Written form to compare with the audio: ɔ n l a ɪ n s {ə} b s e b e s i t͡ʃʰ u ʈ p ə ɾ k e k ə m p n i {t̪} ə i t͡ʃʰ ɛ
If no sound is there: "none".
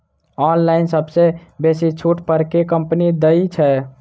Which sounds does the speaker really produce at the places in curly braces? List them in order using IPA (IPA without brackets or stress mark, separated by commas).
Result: ə, d̪